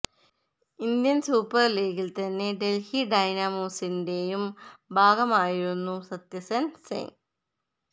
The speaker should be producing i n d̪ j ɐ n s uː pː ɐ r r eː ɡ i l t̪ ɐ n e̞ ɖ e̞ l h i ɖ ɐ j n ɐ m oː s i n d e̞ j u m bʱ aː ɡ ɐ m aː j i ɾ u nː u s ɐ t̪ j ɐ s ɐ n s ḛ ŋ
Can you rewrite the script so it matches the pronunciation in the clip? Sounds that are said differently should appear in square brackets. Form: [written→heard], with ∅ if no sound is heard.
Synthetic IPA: i n d̪ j ɐ n s uː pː ɐ r [r→l] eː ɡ i l t̪ ɐ [n→nː] e̞ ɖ e̞ l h i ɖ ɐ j n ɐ m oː s i n d e̞ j u m bʱ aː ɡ ɐ m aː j i ɾ u nː u s ɐ t̪ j ɐ s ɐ n s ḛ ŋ